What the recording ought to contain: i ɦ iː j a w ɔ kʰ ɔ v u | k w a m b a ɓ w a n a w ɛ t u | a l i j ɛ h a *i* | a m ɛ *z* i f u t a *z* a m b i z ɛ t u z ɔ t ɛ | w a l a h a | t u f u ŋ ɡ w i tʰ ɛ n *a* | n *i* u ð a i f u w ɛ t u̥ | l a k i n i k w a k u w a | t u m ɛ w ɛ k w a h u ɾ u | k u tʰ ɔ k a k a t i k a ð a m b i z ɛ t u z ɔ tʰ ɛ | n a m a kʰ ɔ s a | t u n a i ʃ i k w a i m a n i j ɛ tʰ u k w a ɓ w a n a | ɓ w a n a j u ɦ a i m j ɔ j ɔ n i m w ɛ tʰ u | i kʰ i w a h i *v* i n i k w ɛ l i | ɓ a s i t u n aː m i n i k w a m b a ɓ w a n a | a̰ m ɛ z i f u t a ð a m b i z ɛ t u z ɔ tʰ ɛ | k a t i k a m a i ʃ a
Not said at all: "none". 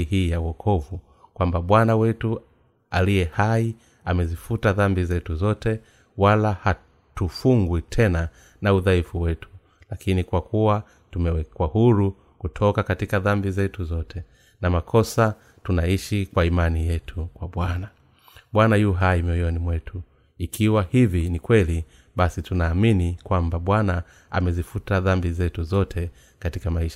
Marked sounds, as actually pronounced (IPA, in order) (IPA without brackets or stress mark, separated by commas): i, z, ð, a, a, v